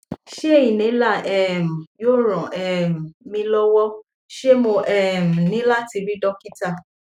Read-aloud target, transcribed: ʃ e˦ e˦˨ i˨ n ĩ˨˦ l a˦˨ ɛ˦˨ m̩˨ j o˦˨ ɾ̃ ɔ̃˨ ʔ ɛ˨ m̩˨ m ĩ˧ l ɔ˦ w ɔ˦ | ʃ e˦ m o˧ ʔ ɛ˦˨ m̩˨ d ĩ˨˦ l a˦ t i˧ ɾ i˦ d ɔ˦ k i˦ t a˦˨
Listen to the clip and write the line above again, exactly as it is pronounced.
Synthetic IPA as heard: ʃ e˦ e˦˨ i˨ n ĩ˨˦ l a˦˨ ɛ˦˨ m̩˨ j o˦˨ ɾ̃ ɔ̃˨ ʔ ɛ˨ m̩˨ m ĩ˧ l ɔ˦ w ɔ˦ | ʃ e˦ m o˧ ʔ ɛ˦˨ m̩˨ n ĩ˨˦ l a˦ t i˧ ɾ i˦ d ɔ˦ k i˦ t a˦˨